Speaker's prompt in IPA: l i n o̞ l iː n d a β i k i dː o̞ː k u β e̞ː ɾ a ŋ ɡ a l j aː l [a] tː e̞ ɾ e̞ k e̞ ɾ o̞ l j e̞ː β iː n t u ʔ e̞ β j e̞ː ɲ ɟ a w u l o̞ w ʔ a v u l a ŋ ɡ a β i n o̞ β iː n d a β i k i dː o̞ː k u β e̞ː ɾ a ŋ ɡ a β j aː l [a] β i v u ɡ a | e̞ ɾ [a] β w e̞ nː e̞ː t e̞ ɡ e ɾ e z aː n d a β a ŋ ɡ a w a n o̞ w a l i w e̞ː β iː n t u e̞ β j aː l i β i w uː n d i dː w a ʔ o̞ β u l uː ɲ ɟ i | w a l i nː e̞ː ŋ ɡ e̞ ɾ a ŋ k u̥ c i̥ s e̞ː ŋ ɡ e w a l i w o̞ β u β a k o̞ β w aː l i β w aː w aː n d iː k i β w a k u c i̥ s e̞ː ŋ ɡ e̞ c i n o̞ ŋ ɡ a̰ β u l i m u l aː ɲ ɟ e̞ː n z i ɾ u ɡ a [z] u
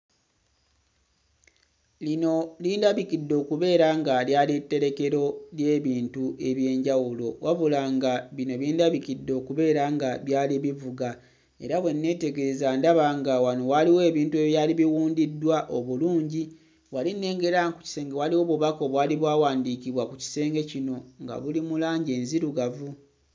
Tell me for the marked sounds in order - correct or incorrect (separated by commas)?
incorrect, incorrect, correct, incorrect